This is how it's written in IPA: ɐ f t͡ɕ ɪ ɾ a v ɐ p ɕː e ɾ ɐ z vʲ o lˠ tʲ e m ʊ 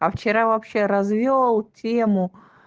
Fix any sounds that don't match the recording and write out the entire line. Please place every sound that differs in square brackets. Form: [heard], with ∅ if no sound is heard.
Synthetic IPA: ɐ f t͡ɕ ɪ ɾ a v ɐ p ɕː e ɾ ɐ z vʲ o lˠ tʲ e m ʊ